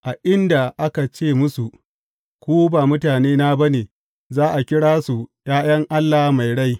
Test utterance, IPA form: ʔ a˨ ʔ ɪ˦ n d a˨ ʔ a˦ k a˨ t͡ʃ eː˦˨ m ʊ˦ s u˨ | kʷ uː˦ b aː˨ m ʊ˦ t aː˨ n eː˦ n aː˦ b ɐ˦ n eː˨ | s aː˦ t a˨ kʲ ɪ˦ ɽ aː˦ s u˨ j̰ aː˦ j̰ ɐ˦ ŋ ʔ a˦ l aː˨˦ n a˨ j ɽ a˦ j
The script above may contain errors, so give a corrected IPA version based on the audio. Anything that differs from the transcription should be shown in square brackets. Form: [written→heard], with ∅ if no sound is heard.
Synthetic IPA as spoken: ʔ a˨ ʔ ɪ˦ n d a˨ ʔ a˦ k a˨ t͡ʃ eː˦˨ m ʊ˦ s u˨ | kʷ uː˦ b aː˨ m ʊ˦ t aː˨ n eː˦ n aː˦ b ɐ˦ n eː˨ | [s→z] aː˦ [t→ʔ] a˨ kʲ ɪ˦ ɽ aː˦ s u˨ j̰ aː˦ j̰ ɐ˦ ŋ ʔ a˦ [l→lː] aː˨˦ [n→m] a˨ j ɽ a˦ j